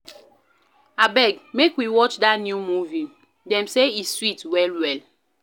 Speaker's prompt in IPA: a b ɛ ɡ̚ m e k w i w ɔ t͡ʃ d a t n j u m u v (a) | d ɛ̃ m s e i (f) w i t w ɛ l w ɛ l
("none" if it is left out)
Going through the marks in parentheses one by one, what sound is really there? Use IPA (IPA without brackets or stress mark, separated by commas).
i, s